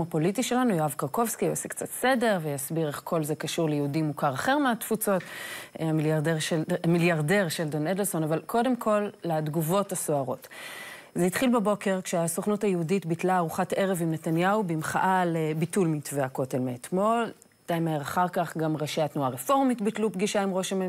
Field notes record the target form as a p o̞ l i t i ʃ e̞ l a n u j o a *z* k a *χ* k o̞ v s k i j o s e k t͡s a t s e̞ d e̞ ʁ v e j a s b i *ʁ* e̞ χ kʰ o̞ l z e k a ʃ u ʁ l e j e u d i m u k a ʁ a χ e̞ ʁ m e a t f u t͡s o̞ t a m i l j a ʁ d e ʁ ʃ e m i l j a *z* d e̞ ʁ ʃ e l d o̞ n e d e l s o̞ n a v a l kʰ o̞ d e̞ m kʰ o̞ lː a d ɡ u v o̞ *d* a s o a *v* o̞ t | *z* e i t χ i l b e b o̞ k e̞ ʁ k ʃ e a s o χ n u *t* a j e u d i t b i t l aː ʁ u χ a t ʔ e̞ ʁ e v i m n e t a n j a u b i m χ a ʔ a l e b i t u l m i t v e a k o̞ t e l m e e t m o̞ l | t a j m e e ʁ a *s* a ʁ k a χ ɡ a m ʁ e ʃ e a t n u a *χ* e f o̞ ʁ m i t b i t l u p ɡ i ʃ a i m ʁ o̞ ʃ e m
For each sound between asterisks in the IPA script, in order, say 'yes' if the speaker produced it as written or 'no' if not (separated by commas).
no, no, yes, no, no, no, yes, yes, no, no